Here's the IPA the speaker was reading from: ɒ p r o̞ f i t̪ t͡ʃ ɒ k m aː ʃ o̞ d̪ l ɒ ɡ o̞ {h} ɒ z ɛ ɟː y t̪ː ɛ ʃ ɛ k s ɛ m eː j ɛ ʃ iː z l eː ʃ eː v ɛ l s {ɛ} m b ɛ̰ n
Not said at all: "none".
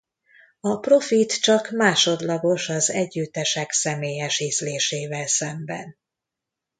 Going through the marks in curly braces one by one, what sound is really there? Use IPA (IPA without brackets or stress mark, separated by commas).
ʃ, ɛ